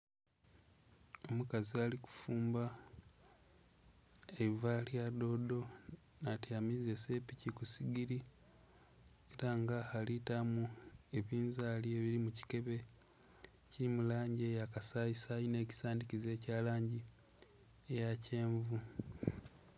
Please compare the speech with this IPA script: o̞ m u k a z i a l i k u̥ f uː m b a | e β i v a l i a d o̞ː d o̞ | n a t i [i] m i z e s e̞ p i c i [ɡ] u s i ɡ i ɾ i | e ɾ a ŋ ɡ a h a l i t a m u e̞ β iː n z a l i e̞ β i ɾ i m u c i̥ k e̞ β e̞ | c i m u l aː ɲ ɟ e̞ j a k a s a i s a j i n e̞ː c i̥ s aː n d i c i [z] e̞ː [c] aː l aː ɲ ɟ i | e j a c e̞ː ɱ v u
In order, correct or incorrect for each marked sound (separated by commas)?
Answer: incorrect, incorrect, correct, correct